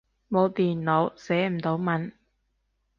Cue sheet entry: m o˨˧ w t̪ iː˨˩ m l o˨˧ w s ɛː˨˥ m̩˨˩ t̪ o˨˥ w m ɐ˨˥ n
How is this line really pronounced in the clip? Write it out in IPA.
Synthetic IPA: m o˨˧ w t̪ iː˨˩ n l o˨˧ w s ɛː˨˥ m̩˨˩ t̪ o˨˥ w m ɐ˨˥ n

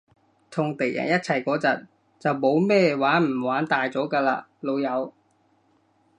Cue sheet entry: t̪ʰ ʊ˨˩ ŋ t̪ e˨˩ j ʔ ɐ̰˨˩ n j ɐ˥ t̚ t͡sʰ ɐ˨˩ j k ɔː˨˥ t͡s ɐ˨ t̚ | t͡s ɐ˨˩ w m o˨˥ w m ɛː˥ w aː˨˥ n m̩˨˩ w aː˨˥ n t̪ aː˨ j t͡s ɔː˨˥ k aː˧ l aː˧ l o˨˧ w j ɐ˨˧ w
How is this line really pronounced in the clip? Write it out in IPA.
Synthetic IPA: t̪ʰ ʊ˨˩ ŋ t̪ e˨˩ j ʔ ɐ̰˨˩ n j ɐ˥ t̚ t͡sʰ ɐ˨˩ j k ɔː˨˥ t͡s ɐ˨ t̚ | t͡s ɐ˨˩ w m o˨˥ w m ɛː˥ w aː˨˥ n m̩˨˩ w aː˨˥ n t̪ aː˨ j t͡s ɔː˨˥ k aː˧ l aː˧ l o˨˧ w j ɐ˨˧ w

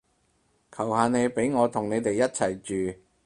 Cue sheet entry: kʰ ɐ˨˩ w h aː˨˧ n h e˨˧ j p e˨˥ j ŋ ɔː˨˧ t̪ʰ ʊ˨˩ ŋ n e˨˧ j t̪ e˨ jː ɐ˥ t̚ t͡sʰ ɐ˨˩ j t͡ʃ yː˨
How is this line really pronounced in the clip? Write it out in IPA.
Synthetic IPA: kʰ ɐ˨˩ w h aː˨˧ n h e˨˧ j p e˨˥ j ŋ ɔː˨˧ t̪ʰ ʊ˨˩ ŋ n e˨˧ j t̪ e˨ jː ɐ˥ t̚ t͡sʰ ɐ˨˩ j t͡ʃ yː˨

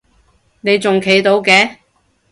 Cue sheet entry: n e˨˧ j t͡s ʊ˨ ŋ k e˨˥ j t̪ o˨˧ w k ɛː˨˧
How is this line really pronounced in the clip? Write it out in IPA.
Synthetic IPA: n e˨˧ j t͡s ʊ˨ ŋ kʰ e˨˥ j t̪ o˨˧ w k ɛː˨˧

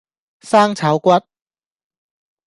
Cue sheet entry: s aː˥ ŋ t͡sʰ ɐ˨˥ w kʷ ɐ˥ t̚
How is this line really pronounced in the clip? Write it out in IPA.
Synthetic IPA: s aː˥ ŋ t͡sʰ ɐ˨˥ w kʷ ɐ˥ t̚

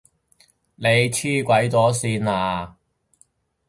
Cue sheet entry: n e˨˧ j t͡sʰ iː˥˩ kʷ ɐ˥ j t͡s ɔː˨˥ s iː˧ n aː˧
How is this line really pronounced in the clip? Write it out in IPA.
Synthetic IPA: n e˨˧ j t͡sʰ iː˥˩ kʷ ɐ˨˥ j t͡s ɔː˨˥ s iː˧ n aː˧

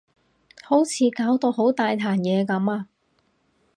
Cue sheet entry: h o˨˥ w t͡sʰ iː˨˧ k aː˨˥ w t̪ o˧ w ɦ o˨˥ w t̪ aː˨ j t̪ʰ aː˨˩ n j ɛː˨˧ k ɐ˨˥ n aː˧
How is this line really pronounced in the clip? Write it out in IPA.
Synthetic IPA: h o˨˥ w t͡sʰ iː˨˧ k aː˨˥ w t̪ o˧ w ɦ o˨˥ w t̪ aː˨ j t̪ʰ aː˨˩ n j ɛː˨˧ k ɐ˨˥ m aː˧

